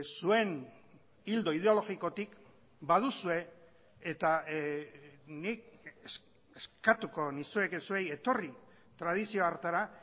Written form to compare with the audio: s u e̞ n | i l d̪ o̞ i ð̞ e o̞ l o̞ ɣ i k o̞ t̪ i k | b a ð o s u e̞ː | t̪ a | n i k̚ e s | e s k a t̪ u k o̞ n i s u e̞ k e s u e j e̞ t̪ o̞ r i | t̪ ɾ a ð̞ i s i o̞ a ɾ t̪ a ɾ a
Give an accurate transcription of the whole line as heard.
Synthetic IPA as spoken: s u e̞ n | i l d̪ o̞ i ð̞ e o̞ l o̞ ɣ i k o̞ t̪ i k | b a ð u s u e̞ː | t̪ a | n i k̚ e s | e s k a t̪ u k o̞ n i s u e̞ k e s u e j e̞ t̪ o̞ r i | t̪ ɾ a ð̞ i s i o̞ a ɾ t̪ a ɾ a